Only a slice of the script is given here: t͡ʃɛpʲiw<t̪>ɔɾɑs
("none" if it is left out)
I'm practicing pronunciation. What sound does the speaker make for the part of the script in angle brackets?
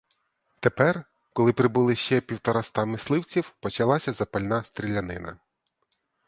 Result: t̪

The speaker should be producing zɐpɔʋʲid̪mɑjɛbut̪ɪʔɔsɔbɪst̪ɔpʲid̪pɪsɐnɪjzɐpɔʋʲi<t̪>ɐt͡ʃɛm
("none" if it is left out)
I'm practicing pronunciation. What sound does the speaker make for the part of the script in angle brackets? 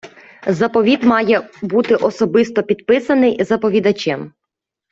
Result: d̪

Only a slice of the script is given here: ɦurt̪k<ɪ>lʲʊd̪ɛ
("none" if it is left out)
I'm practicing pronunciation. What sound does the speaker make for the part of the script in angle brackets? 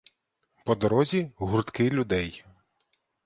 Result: ɪ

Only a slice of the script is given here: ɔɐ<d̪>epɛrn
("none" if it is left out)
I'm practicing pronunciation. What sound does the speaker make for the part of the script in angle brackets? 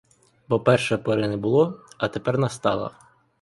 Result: t̪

